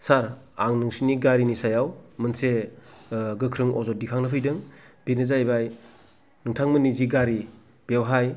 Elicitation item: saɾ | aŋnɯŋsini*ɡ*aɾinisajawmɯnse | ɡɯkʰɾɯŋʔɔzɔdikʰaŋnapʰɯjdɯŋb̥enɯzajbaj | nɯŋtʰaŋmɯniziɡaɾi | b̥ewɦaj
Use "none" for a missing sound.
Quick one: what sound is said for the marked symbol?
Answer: ɡ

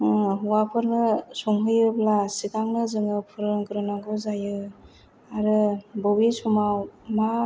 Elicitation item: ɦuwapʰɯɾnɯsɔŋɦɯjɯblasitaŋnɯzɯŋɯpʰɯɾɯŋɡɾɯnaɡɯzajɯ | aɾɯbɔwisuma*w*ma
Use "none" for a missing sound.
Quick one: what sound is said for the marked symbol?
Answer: w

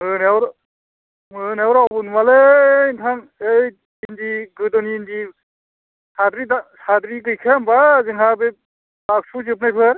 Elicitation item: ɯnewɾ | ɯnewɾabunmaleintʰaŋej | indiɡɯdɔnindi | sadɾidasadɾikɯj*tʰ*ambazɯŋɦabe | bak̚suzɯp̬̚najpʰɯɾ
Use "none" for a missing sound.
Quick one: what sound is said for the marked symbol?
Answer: kʰ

